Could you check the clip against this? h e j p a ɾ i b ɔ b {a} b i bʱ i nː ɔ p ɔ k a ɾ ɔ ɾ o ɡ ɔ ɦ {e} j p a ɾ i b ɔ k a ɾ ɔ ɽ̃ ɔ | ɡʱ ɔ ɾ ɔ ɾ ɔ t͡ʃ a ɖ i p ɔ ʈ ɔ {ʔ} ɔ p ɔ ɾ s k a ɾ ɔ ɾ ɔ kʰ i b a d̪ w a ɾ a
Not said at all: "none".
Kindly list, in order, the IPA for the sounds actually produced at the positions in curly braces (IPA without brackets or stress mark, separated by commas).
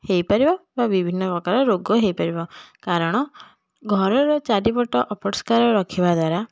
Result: a, e, ʔ